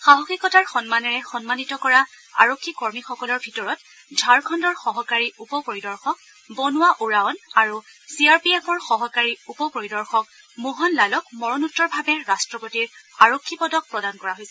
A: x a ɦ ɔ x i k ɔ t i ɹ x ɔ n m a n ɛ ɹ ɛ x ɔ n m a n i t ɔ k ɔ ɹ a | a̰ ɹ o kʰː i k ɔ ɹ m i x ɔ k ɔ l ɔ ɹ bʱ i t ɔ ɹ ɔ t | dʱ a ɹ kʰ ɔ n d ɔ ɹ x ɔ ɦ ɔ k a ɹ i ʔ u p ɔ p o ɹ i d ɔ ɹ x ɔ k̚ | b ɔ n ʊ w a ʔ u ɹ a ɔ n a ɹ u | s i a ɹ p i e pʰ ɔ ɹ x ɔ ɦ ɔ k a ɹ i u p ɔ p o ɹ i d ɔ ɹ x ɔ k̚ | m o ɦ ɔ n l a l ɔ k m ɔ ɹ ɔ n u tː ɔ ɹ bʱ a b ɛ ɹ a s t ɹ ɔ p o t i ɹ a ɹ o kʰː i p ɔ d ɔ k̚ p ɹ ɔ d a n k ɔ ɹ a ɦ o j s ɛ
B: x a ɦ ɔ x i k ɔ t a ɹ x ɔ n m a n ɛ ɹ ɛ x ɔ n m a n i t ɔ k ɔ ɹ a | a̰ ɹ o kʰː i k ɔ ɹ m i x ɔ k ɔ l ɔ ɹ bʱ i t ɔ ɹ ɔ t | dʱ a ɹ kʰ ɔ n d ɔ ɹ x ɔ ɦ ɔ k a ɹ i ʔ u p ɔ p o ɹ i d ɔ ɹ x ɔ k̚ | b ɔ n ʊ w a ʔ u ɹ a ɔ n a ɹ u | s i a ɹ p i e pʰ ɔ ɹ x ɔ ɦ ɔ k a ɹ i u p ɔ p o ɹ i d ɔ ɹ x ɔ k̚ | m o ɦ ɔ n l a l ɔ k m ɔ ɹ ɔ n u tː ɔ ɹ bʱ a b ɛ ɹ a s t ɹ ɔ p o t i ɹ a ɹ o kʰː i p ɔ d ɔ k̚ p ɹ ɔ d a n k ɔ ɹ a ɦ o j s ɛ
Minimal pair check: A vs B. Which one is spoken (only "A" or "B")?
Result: B